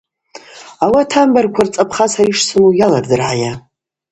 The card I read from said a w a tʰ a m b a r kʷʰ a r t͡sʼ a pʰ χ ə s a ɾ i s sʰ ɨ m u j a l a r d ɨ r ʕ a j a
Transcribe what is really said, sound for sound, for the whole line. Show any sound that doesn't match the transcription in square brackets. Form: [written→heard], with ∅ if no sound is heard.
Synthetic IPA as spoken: a w a tʰ a m b a r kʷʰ a r t͡sʼ a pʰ χ [ə→a] s a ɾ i [s→ʂ] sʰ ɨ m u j a l a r d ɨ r ʕ a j a